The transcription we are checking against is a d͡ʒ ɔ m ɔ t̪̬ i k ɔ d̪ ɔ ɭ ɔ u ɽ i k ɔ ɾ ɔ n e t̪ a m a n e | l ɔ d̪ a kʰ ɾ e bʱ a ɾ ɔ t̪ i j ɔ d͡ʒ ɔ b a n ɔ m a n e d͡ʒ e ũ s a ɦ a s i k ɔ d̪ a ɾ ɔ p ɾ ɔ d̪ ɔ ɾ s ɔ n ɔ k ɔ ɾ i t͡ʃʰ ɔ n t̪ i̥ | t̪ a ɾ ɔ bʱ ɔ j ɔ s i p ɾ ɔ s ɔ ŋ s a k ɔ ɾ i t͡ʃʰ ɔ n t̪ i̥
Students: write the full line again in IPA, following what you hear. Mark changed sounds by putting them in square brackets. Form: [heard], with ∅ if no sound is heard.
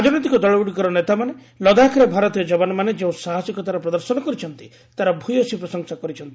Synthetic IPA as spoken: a d͡ʒ ɔ [n] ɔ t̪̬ i k ɔ d̪ ɔ ɭ ɔ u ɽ i k ɔ ɾ ɔ n e t̪ a m a n e | l ɔ d̪ a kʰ ɾ e bʱ a ɾ ɔ t̪ i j ɔ d͡ʒ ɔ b a n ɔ m a n e d͡ʒ e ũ s a ɦ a s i k ɔ [t̪] a ɾ ɔ p ɾ ɔ d̪ ɔ ɾ s ɔ n ɔ k ɔ ɾ i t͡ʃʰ ɔ n t̪ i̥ | t̪ a ɾ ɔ bʱ [u] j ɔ s i p ɾ ɔ s ɔ ŋ s a k ɔ ɾ i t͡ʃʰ ɔ n t̪ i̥